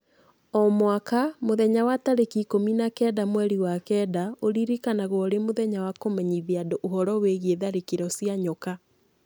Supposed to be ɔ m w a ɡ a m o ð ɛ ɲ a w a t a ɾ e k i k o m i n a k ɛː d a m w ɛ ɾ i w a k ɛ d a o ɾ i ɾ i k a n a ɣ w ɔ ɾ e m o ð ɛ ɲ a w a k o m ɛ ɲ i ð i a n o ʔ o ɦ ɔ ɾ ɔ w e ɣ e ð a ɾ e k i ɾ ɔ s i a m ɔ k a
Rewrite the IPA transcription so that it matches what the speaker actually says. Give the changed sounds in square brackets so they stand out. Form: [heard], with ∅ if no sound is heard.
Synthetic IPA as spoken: ɔ m w a [k] a m o ð ɛ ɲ a w a t a ɾ e k i k o m i n a k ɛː d a m w ɛ ɾ i w a k ɛ d a o ɾ i ɾ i k a n a ɣ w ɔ ɾ e m o ð ɛ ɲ a w a k o m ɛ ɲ i ð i a [d] o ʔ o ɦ ɔ ɾ ɔ w e ɣ e ð a ɾ e k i ɾ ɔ s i a [ɲ] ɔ k a